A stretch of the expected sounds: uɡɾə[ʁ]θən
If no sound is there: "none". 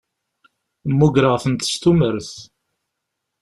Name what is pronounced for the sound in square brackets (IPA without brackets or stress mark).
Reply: ʁ